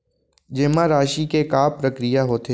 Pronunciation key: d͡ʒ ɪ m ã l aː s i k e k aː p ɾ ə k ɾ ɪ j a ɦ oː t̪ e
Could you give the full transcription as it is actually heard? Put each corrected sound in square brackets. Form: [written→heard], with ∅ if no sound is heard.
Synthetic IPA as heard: d͡ʒ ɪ m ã [l→ɾ] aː [s→ʃ] i k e k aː p ɾ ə k ɾ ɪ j a ɦ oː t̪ e